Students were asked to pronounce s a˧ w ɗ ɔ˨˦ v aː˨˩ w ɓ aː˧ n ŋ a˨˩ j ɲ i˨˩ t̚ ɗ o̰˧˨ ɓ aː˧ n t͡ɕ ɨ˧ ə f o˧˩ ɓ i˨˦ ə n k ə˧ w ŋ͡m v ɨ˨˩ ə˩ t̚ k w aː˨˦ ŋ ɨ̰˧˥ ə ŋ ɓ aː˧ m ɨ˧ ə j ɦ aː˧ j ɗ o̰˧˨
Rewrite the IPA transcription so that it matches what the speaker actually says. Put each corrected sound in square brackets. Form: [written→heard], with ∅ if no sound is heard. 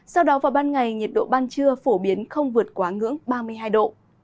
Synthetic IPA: s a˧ w ɗ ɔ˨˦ v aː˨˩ w ɓ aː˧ n ŋ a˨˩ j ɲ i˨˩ t̚ ɗ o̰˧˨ ɓ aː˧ n t͡ɕ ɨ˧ ə f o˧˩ ɓ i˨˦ ə n [k→x] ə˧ w ŋ͡m v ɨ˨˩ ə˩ t̚ k w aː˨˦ ŋ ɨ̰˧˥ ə ŋ ɓ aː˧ m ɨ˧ ə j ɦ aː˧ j ɗ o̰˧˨